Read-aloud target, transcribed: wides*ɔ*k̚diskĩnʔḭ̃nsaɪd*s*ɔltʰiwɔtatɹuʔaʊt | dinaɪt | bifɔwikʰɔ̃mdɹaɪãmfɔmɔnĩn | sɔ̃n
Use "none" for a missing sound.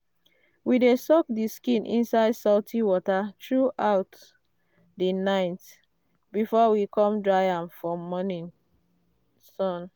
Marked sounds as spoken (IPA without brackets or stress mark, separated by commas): ɔ, s